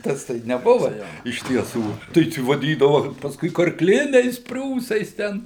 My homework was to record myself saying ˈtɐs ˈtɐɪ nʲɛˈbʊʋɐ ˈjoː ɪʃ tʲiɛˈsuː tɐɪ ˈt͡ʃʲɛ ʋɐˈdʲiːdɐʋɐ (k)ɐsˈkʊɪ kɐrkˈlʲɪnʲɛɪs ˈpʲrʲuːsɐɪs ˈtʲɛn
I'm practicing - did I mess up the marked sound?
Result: yes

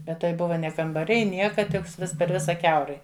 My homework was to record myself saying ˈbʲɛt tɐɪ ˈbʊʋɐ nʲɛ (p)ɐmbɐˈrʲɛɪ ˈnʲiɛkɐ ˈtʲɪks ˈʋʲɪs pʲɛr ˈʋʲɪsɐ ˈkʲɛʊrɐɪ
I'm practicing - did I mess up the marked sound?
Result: yes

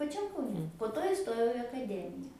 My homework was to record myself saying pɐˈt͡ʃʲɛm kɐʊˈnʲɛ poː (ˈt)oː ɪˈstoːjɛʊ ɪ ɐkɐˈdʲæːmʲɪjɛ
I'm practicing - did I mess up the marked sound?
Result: no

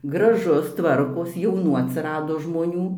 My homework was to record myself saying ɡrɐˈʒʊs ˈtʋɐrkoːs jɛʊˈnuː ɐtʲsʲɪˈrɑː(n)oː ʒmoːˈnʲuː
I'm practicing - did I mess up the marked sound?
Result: yes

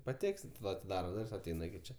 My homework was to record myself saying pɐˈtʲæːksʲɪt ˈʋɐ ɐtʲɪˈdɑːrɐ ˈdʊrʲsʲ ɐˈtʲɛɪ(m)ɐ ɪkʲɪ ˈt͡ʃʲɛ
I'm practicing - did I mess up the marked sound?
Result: yes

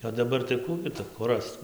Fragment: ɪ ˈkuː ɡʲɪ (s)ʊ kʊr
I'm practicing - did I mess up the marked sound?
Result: yes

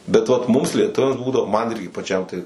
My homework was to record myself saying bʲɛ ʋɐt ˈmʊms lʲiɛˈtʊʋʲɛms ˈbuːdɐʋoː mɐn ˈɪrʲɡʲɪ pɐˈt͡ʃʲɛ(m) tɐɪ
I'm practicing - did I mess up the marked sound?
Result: no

